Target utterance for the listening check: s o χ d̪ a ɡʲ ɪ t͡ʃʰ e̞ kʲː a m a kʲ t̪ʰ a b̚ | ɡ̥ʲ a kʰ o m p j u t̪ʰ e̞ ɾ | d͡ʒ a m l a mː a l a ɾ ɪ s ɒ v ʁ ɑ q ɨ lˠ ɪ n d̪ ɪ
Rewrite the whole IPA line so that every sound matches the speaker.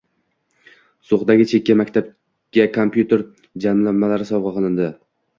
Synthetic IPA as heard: s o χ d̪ a ɡʲ ɪ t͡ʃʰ e̞ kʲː a m a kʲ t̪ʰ a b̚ | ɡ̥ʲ a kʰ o m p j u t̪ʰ e̞ ɾ | d͡ʒ a m l a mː a l a ɾ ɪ s ɒ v ʁ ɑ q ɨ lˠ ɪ n d̪ ɪ